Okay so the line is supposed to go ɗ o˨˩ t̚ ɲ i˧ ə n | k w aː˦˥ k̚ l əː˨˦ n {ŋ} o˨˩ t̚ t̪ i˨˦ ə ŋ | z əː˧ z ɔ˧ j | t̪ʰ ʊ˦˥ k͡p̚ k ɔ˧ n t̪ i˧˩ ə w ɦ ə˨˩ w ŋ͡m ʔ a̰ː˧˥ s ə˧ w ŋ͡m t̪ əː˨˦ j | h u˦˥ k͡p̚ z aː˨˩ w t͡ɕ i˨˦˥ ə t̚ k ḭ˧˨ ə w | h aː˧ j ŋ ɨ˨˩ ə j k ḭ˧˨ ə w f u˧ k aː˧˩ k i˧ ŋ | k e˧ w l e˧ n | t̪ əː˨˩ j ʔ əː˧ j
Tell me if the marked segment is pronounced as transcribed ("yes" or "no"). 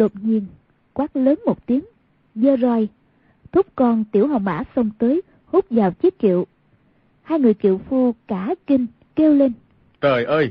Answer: no